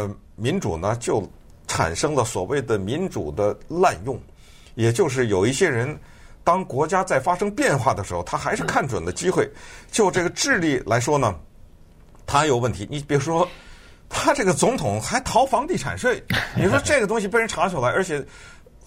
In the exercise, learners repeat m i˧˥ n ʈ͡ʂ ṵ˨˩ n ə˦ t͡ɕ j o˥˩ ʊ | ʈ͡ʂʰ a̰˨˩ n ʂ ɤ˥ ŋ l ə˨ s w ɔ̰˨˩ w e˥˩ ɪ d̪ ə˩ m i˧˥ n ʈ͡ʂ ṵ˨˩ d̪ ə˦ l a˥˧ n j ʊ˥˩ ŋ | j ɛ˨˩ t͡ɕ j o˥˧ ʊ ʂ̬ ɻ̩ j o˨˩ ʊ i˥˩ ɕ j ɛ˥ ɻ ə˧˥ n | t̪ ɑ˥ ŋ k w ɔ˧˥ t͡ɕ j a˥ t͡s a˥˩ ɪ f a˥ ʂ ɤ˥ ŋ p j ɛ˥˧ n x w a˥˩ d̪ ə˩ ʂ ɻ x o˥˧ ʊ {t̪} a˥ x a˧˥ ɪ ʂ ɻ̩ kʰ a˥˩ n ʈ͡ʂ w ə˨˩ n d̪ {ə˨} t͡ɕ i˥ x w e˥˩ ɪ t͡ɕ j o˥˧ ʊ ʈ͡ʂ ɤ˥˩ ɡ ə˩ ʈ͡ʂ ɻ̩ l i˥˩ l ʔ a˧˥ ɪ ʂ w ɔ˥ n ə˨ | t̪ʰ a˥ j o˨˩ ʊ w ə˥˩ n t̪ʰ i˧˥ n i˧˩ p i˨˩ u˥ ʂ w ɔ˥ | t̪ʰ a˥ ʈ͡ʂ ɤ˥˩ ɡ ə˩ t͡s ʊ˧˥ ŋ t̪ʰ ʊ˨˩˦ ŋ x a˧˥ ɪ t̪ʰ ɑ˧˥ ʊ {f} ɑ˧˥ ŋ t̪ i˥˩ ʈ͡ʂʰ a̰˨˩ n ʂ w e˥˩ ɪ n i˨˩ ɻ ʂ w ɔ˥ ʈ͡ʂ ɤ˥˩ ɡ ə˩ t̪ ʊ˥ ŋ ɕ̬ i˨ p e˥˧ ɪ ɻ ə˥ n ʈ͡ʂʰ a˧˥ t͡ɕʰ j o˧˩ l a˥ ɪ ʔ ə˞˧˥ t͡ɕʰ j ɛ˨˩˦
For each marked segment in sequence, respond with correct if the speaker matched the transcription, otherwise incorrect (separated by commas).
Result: incorrect, incorrect, correct